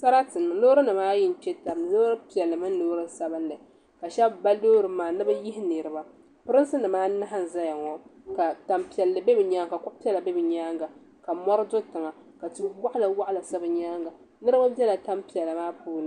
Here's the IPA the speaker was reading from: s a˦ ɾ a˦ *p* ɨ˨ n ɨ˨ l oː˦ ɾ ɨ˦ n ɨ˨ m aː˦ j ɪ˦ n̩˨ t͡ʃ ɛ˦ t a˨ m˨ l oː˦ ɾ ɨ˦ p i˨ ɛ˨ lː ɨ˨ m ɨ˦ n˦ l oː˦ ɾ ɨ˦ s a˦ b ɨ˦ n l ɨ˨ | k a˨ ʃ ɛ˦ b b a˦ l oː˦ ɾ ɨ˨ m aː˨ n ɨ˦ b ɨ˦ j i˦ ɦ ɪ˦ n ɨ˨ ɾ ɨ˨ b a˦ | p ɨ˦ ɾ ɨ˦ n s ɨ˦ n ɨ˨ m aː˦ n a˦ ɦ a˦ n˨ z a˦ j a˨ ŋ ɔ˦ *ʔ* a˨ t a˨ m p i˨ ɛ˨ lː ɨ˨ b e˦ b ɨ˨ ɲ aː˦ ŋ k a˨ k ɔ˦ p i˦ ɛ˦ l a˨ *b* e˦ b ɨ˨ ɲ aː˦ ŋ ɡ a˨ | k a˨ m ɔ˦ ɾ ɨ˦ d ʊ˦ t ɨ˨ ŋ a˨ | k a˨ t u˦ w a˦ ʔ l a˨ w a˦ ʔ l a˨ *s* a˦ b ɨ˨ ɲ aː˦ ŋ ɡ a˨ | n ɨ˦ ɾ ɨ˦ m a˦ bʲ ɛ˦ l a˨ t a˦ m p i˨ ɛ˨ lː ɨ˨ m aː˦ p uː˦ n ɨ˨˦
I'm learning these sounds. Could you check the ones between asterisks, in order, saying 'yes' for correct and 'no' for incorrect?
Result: no, no, yes, yes

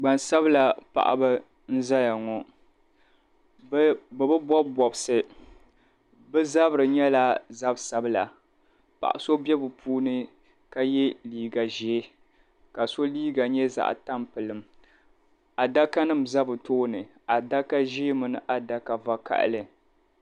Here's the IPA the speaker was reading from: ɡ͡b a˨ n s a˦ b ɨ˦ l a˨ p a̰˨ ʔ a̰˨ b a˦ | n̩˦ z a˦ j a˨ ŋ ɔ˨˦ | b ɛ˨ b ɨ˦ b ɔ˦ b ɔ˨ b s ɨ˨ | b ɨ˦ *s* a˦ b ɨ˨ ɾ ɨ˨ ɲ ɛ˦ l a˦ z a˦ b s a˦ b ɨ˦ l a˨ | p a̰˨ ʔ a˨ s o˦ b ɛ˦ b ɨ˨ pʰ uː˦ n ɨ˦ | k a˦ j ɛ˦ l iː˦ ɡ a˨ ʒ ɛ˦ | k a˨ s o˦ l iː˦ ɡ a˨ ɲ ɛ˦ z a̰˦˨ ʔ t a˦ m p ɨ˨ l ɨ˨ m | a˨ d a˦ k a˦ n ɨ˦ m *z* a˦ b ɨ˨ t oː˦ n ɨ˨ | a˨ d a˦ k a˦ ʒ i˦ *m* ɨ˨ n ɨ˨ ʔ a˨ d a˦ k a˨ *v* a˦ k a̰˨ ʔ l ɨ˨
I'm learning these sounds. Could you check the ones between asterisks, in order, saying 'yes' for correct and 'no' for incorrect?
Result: no, yes, yes, yes

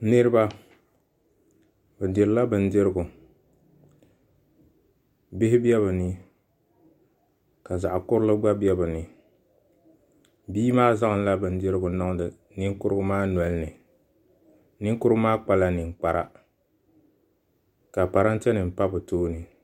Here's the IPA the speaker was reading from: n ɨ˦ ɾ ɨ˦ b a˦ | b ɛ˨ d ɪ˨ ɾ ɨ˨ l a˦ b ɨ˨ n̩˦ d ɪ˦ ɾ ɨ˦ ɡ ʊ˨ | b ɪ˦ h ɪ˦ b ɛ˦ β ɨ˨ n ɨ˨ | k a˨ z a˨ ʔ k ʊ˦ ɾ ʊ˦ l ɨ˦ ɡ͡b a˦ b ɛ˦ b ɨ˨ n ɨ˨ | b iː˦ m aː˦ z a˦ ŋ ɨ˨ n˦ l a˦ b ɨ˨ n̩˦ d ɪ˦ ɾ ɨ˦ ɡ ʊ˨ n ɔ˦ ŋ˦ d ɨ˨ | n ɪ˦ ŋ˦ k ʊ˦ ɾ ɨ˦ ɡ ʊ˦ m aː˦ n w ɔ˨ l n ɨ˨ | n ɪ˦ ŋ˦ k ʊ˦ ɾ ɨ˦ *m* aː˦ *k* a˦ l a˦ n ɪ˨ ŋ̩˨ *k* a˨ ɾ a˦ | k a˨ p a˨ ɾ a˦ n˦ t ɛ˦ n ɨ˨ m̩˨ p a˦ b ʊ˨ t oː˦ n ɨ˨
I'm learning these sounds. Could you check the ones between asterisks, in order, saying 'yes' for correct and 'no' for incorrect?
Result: yes, no, no

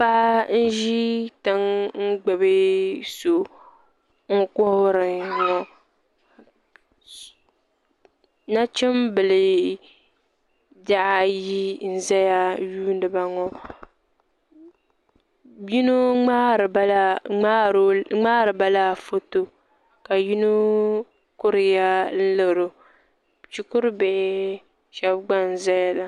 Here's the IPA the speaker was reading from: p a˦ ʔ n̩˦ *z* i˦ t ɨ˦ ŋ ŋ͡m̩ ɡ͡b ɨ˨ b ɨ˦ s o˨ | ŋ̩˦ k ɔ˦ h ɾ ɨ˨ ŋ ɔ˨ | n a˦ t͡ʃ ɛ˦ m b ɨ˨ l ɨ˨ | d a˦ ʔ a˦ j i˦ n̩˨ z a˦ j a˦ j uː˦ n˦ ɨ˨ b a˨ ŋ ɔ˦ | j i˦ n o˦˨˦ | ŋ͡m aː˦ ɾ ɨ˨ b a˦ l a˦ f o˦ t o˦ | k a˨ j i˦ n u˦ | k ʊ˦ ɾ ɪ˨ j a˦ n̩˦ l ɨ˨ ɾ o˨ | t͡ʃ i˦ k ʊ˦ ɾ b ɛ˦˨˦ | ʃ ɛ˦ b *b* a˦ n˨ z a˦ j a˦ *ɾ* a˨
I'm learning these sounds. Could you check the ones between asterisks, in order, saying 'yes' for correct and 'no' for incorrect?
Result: no, no, no

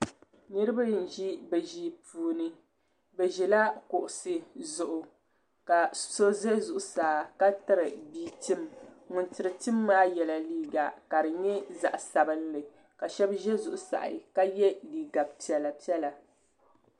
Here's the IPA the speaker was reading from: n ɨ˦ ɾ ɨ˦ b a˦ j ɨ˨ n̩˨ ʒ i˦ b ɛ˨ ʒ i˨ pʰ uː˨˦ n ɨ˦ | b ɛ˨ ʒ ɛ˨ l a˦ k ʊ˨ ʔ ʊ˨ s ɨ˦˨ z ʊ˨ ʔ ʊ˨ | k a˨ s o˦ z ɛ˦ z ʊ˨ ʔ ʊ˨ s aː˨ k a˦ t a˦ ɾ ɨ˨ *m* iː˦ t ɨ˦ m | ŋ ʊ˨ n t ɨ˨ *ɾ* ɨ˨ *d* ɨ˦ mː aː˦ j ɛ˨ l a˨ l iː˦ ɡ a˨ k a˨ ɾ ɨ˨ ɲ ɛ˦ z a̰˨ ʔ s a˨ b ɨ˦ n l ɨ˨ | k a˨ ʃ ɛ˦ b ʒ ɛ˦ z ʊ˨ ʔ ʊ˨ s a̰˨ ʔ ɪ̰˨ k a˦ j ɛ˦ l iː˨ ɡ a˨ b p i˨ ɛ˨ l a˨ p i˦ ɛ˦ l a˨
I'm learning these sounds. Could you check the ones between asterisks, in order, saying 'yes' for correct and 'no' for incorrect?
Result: no, yes, no

